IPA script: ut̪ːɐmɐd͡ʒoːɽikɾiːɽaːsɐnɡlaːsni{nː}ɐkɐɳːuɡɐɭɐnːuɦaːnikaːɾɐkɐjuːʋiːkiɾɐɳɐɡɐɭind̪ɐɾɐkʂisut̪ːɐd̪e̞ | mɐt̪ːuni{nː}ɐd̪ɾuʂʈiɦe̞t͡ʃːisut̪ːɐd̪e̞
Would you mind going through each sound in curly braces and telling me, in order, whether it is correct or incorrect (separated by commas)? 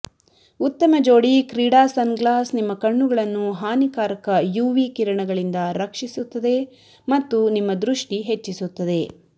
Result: incorrect, incorrect